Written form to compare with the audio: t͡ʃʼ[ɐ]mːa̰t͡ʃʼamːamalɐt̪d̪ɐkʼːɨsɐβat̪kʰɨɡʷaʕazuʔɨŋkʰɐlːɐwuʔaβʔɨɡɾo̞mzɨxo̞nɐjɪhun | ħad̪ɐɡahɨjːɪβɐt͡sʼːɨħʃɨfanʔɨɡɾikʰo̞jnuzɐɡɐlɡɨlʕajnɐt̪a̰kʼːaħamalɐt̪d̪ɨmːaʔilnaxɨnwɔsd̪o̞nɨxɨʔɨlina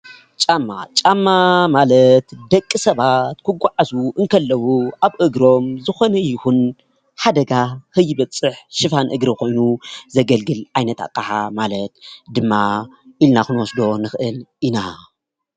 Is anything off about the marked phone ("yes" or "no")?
yes